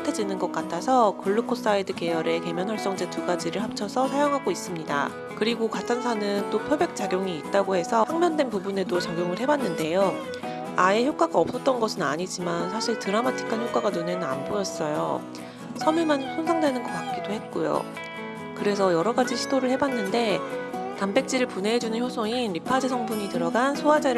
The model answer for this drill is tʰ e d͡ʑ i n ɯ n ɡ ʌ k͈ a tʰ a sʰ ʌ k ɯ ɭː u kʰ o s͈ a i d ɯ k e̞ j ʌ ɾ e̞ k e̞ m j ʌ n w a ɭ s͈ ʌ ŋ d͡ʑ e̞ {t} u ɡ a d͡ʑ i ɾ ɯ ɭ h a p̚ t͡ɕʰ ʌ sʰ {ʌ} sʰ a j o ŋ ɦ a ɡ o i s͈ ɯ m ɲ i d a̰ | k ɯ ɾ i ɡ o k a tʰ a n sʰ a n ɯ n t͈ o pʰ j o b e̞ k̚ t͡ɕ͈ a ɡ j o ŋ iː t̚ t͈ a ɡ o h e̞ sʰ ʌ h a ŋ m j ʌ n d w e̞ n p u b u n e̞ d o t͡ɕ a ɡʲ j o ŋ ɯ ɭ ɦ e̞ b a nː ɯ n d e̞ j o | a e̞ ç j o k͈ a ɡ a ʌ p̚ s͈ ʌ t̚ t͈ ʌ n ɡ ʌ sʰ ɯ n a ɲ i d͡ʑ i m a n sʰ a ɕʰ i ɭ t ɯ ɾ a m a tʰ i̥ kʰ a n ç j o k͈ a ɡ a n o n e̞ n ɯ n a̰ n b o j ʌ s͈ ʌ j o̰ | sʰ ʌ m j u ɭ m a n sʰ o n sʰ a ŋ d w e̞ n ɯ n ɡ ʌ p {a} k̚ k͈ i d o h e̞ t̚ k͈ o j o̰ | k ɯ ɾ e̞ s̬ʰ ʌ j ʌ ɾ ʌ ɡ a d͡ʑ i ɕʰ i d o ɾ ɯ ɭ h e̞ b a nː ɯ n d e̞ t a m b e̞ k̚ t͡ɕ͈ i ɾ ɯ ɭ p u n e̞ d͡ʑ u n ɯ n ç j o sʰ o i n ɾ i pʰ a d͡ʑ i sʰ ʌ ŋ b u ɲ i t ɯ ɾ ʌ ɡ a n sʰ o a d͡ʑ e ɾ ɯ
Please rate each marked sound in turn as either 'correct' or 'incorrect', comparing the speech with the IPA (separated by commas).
correct, correct, correct